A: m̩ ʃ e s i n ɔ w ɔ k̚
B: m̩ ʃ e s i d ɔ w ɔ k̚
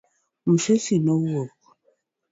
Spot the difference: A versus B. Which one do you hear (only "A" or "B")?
A